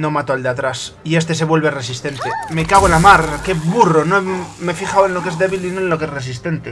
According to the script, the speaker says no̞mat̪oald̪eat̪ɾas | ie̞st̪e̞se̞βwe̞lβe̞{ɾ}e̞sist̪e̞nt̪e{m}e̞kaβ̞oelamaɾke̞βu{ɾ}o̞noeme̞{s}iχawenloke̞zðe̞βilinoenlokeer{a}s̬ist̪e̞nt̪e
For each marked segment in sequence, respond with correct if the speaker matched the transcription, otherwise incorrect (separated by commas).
incorrect, correct, incorrect, incorrect, incorrect